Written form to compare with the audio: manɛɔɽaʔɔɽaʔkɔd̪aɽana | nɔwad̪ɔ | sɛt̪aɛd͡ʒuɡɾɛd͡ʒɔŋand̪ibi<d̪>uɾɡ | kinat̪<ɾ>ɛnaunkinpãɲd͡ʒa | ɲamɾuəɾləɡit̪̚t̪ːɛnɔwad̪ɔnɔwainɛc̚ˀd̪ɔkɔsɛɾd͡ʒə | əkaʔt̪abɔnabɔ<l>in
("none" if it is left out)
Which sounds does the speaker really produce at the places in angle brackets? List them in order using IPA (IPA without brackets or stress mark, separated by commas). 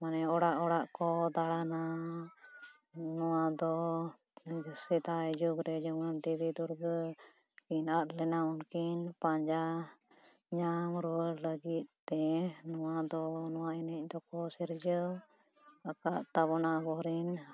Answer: d̪, l, ɾ